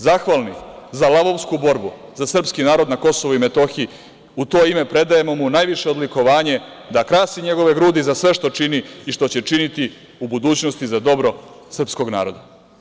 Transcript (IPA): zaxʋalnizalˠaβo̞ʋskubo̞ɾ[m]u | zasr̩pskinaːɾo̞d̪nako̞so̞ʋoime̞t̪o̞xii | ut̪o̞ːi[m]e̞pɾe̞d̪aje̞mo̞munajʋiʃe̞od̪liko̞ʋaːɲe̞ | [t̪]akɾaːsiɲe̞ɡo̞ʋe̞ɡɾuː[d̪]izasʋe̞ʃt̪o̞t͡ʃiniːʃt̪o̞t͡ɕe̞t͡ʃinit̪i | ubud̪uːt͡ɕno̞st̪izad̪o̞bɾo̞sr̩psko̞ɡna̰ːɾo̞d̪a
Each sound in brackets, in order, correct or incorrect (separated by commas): incorrect, correct, incorrect, correct